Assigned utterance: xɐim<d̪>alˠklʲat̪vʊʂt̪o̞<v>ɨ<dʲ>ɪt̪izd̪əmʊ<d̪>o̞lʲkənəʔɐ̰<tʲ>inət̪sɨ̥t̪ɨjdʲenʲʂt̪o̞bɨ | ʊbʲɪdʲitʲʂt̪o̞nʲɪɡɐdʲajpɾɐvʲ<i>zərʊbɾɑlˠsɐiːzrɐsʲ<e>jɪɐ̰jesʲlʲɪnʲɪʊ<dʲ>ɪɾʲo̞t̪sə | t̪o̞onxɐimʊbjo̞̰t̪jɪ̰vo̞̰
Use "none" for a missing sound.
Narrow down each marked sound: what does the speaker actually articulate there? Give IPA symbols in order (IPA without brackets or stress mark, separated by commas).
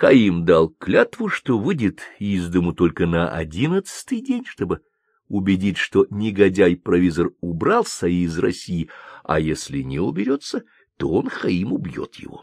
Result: d̪, v, dʲ, t̪, dʲ, i, i, bʲ